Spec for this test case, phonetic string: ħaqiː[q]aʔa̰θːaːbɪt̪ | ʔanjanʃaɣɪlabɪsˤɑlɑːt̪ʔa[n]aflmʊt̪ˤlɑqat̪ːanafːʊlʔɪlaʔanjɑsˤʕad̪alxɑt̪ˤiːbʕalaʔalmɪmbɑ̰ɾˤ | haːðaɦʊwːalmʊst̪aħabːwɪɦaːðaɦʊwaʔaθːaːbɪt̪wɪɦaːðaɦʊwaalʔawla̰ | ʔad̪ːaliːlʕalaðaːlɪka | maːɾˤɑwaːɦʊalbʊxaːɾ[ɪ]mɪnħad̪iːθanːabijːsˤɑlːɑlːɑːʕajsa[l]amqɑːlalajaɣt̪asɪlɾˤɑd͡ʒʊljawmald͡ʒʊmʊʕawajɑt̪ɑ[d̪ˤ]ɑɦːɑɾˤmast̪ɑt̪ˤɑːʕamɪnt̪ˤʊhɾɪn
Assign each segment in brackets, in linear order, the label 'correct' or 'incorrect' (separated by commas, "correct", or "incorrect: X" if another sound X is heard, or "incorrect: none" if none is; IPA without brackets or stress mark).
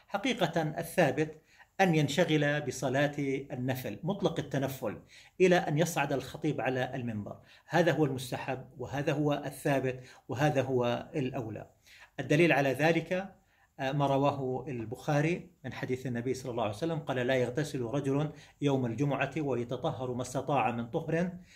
correct, incorrect: nː, incorrect: i, incorrect: lː, incorrect: t̪ˤ